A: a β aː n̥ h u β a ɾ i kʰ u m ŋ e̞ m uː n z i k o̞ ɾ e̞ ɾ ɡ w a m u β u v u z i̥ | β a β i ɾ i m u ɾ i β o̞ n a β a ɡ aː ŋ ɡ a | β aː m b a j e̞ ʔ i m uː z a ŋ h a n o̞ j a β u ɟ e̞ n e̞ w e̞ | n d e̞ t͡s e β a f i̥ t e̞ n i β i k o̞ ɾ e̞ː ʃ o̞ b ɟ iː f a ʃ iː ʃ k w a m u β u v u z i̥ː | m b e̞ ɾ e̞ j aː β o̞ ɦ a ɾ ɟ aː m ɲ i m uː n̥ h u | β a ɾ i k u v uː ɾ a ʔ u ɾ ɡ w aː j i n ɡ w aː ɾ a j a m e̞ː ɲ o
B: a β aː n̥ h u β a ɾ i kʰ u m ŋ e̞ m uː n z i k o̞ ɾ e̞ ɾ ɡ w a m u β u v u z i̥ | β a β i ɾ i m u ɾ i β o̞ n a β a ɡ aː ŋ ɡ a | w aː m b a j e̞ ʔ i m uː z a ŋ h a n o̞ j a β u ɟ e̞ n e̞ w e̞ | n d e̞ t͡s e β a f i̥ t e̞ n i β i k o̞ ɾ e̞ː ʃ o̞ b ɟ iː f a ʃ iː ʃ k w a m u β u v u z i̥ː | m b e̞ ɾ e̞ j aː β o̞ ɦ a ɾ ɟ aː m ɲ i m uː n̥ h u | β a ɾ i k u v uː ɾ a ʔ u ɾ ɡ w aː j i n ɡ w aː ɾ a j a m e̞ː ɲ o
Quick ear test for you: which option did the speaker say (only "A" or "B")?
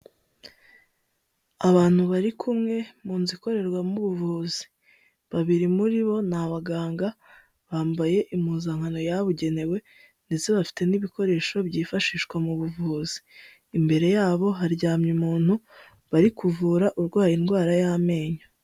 A